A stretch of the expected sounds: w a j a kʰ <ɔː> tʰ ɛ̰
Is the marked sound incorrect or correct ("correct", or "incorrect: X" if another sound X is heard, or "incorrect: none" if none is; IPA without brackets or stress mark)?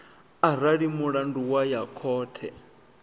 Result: correct